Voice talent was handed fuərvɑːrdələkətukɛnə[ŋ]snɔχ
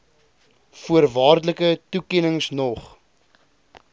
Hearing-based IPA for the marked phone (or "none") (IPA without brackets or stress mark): ŋ